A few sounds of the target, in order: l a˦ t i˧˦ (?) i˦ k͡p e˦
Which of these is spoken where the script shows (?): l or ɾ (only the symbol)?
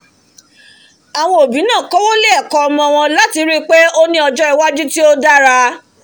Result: ɾ